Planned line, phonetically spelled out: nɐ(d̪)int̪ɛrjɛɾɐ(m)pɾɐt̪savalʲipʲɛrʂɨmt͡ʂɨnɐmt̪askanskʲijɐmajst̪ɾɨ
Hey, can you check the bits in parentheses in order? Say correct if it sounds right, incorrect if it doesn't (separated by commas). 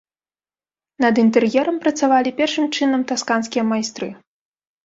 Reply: correct, correct